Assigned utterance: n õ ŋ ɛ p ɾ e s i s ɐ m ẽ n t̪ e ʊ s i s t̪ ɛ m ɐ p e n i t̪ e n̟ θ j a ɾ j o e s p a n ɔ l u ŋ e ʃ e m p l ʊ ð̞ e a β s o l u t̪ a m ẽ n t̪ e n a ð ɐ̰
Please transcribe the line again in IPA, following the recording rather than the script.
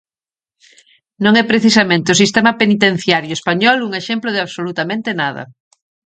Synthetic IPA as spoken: n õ ŋ ɛ p ɾ e θ i s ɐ m ẽ n t̪ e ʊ s i s t̪ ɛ m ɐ p e n i t̪ e n̟ θ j a ɾ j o e s p a ɲ ɔ l u ŋ e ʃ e m p l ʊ ð̞ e a β s o l u t̪ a m ẽ n t̪ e n a ð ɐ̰